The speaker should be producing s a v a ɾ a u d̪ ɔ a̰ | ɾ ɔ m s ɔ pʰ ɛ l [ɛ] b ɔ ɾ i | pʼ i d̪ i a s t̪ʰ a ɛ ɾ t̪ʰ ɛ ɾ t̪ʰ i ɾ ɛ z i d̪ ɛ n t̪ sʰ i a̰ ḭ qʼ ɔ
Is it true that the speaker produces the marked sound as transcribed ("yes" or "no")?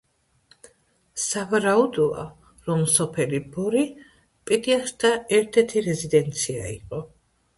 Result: no